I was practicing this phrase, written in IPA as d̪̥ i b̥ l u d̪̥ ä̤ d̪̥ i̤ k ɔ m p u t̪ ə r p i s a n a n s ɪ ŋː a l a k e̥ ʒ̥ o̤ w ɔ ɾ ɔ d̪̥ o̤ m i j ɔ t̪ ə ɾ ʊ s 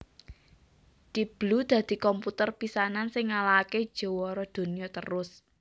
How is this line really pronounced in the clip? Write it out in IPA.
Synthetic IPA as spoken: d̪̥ i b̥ l u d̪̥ ä̤ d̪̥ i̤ k ɔ m p u t̪ ə r p i s a n a n s ɪ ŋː a l a k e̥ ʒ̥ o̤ w ɔ ɾ ɔ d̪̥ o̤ n i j ɔ t̪ ə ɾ ʊ s